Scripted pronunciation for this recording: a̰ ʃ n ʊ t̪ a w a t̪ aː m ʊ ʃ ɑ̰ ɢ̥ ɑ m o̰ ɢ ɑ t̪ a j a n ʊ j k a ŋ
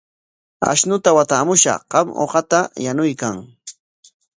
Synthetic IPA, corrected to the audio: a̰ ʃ n ʊ t̪ a w a t̪ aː m ʊ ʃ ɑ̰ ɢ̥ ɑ m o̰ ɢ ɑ t̪ a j a n ʊ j k a ŋ